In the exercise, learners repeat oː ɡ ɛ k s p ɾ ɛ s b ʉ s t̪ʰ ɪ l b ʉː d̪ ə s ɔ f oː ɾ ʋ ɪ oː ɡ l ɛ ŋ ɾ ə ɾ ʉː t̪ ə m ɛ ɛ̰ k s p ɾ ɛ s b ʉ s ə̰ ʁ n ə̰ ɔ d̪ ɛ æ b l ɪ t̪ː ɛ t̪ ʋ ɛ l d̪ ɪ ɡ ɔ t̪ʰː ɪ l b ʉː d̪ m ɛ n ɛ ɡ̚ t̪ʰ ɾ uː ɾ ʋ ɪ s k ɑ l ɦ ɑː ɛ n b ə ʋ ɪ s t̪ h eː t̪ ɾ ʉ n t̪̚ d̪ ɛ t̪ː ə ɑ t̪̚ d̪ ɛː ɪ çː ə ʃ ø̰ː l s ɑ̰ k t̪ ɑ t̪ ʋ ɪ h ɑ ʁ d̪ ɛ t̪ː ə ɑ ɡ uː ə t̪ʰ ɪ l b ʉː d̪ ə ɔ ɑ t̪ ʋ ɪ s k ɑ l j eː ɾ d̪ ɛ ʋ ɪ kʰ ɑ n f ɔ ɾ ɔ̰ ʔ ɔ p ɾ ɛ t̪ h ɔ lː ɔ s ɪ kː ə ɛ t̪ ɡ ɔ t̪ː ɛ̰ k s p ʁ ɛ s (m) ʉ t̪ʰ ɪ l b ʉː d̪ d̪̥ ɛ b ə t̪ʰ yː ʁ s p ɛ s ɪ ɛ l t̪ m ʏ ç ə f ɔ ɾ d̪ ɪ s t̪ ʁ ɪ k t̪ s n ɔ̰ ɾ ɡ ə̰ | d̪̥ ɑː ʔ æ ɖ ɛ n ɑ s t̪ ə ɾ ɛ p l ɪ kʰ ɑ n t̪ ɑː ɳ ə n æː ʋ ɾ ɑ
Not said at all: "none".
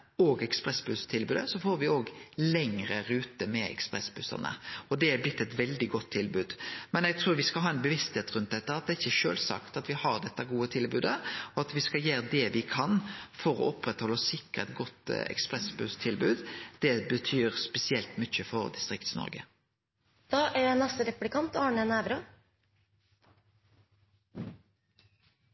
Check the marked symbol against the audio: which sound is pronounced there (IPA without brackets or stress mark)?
b